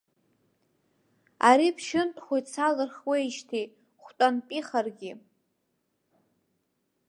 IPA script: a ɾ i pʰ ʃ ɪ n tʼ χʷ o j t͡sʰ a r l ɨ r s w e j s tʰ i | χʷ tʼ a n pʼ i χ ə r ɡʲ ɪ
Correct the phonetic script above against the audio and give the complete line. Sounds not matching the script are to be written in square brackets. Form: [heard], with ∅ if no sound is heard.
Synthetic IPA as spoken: a ɾ i pʰ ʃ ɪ n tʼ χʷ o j t͡sʰ a [∅] l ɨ r [χ] w e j [ʃ] tʰ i | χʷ tʼ a n pʼ i χ [a] r ɡʲ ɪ